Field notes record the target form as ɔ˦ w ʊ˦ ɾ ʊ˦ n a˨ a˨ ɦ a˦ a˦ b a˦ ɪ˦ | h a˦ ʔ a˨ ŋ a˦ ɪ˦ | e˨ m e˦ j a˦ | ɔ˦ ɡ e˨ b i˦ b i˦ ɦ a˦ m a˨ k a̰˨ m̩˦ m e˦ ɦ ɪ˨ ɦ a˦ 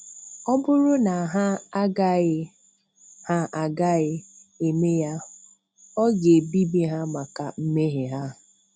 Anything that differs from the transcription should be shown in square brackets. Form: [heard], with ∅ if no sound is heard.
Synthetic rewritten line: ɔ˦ [b] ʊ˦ ɾ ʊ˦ n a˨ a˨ ɦ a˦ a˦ [ɡ] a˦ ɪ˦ | h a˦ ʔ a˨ [ɡ] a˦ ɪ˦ | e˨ m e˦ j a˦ | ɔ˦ ɡ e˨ b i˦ b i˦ ɦ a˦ m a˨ k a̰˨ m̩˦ m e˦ ɦ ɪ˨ ɦ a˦